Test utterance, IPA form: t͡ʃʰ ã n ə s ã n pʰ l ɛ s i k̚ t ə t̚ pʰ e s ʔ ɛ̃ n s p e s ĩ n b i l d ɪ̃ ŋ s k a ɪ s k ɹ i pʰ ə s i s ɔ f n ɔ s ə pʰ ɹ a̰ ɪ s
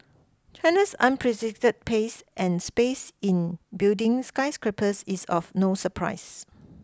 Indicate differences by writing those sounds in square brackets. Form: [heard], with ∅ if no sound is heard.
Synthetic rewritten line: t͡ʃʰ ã n ə s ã n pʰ [ɹ] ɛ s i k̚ t ə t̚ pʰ e s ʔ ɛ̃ n s p e s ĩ n b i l d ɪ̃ ŋ s k a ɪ s k ɹ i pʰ ə s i s ɔ f n [o] s ə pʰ ɹ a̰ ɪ s